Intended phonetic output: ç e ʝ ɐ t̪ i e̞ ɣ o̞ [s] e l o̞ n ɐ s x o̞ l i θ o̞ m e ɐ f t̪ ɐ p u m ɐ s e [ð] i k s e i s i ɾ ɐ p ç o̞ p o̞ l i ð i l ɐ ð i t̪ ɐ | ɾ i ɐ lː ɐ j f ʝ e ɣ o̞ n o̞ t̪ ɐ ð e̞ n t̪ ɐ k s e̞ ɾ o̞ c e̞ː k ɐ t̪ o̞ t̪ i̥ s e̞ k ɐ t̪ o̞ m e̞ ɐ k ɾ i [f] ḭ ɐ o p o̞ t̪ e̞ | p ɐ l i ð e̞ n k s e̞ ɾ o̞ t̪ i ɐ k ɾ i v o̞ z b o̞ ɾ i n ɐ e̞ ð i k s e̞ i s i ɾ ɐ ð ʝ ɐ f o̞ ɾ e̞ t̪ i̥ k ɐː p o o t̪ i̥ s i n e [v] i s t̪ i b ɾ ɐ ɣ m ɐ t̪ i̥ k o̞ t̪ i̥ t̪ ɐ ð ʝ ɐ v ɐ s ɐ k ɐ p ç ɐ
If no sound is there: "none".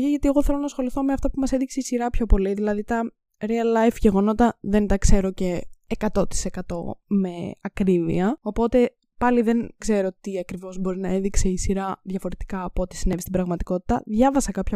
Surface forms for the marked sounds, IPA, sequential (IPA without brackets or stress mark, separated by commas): θ, ð, v, v